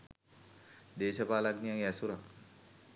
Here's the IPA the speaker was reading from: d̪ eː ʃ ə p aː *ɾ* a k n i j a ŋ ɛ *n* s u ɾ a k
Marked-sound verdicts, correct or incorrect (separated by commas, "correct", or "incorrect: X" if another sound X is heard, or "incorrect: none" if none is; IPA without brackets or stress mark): incorrect: l, incorrect: none